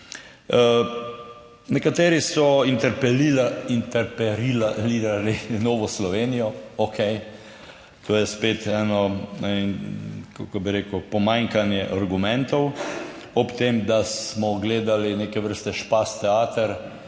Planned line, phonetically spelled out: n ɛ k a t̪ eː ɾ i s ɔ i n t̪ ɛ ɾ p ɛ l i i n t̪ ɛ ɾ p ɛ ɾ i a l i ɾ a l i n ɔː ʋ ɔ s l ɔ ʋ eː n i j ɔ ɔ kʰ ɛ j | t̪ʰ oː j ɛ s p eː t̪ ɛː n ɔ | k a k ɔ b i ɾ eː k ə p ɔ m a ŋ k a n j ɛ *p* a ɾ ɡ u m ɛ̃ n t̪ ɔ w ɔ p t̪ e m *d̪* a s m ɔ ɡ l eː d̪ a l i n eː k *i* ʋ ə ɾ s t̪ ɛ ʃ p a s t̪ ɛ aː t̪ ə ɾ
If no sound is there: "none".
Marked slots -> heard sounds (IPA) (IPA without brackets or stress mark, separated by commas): ʔ, d̪, ɛ